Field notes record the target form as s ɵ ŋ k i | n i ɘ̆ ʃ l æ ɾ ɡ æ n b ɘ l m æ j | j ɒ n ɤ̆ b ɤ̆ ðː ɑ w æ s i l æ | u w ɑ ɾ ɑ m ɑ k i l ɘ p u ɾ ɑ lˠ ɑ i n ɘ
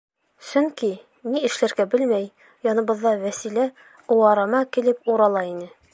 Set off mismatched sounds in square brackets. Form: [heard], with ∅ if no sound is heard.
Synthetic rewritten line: s ɵ ŋ k i | n i ɘ̆ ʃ l æ ɾ ɡ æ [∅] b ɘ l m æ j | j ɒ n ɤ̆ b ɤ̆ ðː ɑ w æ s i l æ | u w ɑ ɾ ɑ m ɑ k i l ɘ p u ɾ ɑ lˠ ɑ i n ɘ